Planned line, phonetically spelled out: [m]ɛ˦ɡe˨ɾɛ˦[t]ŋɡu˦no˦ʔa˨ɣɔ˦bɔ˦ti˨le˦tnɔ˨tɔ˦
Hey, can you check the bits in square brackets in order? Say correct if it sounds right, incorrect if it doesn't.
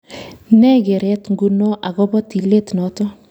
incorrect, correct

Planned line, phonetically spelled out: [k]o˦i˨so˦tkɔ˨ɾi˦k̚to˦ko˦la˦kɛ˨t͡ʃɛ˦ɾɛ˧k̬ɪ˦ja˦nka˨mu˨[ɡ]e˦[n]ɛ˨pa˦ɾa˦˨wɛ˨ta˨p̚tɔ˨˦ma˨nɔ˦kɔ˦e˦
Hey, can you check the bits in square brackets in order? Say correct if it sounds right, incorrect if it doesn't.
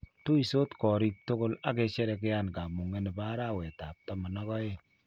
incorrect, incorrect, correct

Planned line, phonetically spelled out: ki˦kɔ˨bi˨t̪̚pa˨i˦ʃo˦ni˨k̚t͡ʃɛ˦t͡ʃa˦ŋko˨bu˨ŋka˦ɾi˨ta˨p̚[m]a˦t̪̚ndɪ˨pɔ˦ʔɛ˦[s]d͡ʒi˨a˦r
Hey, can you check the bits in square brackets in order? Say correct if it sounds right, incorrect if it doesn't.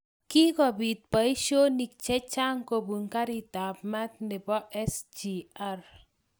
correct, correct

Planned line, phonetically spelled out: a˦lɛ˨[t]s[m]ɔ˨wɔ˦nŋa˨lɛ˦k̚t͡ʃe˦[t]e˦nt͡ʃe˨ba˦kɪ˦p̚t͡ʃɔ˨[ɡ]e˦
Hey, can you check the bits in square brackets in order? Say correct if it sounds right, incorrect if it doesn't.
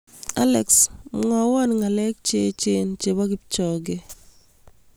incorrect, incorrect, incorrect, correct

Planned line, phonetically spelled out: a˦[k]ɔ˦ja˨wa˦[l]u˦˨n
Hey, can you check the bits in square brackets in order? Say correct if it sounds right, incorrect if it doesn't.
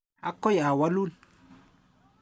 correct, correct

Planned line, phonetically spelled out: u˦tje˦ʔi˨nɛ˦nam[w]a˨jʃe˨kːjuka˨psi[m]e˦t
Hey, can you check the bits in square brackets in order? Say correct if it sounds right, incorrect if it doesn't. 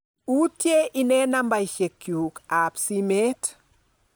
incorrect, correct

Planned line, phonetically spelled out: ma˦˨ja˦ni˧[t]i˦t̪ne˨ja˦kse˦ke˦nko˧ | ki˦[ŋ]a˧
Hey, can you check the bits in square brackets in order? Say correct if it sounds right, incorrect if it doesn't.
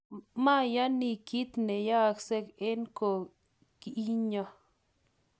incorrect, incorrect

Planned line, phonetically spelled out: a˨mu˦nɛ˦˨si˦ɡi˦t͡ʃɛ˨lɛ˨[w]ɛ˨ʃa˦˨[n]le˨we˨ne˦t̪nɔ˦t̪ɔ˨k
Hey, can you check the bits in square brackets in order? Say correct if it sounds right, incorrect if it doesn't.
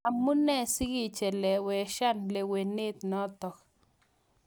correct, correct

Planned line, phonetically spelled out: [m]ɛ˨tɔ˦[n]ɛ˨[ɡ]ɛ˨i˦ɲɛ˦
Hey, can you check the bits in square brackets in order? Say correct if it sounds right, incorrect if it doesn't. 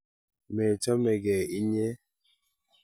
correct, incorrect, correct

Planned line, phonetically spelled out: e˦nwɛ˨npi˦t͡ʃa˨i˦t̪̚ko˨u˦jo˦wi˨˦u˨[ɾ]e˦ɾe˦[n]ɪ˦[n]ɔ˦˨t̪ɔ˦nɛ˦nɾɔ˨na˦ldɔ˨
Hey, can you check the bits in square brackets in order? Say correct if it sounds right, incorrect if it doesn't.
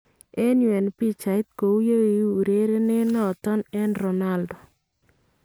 correct, correct, correct

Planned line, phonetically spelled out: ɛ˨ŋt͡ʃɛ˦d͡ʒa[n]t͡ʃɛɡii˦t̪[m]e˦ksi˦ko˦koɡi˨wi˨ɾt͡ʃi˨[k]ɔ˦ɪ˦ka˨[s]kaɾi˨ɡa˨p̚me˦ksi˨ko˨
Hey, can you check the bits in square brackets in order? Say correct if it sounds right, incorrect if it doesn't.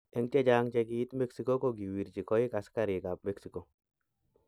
incorrect, correct, correct, correct

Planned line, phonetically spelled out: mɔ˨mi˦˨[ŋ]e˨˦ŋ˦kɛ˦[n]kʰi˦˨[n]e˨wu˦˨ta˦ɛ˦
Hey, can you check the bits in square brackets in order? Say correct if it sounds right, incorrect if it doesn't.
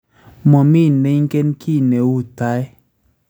incorrect, correct, correct

